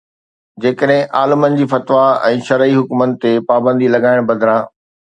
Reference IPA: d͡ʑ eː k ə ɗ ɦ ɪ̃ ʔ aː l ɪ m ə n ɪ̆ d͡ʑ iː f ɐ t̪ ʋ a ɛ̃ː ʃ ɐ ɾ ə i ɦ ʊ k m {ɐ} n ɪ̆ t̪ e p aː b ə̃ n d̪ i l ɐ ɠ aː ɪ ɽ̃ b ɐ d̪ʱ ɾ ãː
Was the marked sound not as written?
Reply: yes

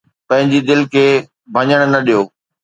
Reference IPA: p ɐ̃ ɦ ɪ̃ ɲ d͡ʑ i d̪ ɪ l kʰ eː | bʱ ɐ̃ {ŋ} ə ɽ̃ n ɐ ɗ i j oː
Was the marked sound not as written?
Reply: yes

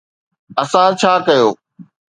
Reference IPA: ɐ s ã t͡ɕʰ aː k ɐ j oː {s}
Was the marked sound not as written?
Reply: yes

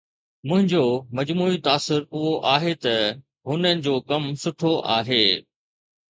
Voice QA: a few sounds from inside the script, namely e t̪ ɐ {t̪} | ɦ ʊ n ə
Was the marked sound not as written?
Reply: yes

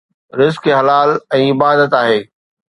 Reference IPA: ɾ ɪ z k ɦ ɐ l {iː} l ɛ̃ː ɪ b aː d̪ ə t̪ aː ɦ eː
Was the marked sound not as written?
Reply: yes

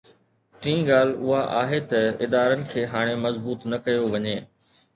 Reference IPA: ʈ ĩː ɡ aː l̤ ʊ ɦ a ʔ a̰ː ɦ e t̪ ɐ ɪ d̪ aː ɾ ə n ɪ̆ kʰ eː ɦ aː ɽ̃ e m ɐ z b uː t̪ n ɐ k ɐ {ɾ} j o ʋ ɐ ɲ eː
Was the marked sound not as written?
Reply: yes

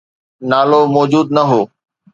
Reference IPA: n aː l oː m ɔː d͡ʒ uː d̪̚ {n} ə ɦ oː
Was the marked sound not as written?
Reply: no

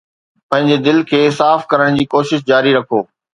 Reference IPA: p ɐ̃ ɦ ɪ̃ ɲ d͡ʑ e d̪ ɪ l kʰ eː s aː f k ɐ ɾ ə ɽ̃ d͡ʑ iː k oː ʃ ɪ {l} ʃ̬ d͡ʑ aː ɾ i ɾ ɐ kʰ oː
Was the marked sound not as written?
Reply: yes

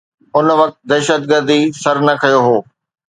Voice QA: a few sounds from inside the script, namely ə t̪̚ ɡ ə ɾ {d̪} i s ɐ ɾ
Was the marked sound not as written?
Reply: no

